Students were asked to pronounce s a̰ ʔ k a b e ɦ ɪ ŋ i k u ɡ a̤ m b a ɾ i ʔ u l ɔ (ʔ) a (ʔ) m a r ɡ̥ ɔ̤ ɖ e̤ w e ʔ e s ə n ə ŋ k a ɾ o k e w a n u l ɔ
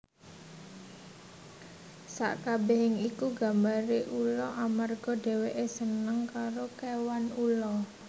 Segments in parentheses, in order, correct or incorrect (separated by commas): correct, incorrect